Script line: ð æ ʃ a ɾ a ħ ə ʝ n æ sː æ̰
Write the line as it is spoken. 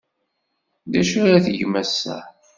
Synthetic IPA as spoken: ð æ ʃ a ɾ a θ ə ʝ m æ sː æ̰